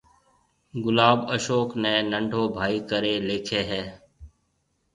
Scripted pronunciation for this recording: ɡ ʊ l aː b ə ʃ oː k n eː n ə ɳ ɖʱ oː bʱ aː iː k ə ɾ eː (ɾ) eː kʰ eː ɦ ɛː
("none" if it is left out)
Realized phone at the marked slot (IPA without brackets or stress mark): l